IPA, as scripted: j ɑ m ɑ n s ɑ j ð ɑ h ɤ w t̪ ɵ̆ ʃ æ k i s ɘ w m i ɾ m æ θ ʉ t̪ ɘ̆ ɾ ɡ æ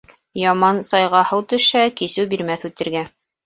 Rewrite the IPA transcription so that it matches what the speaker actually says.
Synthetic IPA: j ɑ m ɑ n s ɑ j ʁ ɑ h ɤ w t̪ ɵ̆ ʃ æ k i s ɘ w b i ɾ m æ θ ʉ t̪ ɘ̆ ɾ ɡ æ